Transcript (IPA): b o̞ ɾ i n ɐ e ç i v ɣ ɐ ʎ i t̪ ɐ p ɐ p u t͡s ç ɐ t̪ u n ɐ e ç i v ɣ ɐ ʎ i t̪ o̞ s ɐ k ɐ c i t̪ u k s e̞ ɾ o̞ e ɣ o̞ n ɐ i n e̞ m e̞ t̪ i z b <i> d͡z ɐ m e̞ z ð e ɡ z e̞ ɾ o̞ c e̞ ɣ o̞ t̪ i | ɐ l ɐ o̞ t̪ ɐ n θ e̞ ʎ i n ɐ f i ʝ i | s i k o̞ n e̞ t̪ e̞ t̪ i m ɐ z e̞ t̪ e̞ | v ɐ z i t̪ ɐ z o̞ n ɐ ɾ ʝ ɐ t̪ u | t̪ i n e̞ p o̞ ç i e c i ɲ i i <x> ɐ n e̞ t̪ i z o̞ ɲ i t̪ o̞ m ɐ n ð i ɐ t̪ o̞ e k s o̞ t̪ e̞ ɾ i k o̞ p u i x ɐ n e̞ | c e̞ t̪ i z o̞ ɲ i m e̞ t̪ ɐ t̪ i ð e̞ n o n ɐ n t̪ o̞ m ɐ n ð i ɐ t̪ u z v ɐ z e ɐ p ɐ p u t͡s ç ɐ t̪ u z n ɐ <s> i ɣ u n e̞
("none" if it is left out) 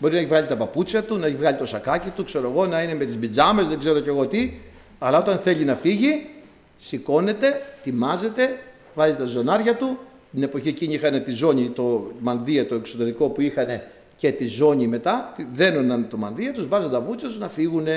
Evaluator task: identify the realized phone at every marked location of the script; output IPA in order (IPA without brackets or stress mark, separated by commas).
i, x, f